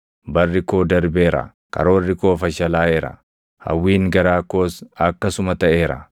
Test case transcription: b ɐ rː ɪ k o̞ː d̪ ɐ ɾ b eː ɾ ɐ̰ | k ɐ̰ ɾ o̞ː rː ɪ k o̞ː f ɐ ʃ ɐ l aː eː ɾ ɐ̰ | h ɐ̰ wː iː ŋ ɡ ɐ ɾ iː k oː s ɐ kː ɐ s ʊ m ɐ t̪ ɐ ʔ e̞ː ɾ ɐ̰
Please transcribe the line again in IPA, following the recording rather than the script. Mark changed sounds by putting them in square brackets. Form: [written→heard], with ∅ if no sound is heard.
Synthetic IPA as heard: b ɐ rː ɪ k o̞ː d̪ ɐ ɾ b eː ɾ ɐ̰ | k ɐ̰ ɾ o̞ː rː ɪ k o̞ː f ɐ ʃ ɐ l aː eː ɾ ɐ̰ | h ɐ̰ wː iː ŋ ɡ ɐ ɾ [iː→aː] k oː s ɐ kː ɐ s ʊ m ɐ t̪ ɐ ʔ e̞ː ɾ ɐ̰